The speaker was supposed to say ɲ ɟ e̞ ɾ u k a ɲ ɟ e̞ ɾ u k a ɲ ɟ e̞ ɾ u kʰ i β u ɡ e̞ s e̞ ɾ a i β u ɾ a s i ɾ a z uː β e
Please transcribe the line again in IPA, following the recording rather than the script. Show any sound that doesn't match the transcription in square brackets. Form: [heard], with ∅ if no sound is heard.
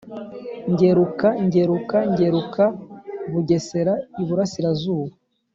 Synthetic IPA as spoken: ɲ ɟ e̞ ɾ u k a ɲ ɟ e̞ ɾ u k a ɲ ɟ e̞ ɾ u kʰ [a] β u [ɟ] e̞ s e̞ ɾ a i β u ɾ a s i ɾ a z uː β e